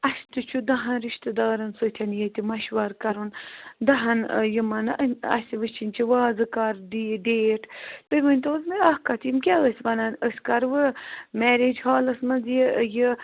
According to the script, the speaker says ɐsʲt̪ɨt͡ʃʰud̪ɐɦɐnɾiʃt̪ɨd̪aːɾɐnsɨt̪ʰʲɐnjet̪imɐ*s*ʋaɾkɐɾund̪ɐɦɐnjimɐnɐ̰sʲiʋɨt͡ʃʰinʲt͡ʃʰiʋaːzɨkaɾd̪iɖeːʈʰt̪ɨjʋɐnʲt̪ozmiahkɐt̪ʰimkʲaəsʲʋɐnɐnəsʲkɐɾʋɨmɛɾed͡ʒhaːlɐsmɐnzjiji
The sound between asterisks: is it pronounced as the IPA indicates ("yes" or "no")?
no